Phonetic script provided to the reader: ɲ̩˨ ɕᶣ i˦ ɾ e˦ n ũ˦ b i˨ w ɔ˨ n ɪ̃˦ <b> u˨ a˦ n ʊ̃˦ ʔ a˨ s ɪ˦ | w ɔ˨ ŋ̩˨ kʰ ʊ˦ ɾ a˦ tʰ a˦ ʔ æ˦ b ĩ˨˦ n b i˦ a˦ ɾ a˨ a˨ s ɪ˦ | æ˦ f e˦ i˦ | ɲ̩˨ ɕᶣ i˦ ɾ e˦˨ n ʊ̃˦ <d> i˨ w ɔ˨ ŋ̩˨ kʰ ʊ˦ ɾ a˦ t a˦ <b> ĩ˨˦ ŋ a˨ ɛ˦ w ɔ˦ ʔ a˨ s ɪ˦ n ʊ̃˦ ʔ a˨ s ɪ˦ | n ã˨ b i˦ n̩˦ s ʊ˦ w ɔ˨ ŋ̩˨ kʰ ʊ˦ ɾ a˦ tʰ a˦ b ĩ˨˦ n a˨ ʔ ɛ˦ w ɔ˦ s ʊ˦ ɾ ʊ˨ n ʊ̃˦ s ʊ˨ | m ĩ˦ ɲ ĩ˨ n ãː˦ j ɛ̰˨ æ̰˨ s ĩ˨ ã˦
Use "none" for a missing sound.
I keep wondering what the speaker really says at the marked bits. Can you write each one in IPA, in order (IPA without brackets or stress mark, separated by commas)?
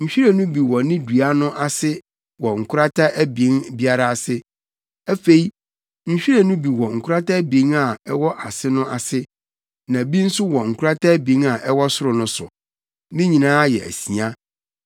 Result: d, b, b